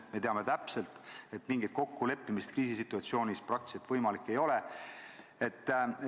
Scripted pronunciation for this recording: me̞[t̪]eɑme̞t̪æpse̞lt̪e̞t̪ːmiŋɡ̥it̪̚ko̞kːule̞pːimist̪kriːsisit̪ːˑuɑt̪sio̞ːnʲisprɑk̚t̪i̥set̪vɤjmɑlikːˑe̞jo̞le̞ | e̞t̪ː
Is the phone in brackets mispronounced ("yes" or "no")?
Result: no